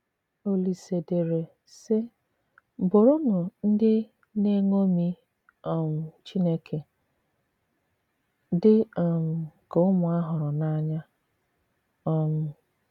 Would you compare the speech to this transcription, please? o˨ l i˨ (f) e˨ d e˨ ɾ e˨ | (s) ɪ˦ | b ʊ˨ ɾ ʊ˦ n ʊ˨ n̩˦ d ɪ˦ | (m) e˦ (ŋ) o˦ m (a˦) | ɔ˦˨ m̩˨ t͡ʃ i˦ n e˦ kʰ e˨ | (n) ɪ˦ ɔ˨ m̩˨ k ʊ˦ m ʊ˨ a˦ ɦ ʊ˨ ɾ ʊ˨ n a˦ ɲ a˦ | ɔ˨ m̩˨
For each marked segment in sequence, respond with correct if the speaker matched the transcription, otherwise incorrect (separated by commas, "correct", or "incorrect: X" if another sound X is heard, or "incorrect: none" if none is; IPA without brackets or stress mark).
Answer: incorrect: s, correct, incorrect: n, correct, incorrect: i˦, incorrect: d